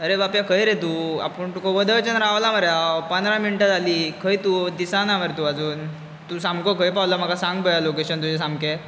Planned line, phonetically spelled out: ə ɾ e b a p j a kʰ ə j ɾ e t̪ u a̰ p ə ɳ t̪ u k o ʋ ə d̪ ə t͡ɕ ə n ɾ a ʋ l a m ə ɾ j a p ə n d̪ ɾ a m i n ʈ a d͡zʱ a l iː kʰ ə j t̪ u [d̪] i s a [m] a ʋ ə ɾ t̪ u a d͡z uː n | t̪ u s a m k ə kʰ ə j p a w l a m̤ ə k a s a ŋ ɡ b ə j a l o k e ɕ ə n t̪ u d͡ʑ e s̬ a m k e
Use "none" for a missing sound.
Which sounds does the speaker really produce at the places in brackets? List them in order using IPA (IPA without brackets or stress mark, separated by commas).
d̪, n